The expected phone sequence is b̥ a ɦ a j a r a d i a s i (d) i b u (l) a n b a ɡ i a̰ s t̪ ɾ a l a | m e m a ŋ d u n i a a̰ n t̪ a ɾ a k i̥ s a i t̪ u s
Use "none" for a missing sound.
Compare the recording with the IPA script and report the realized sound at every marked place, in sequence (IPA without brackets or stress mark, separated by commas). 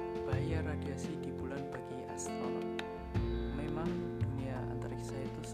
d, l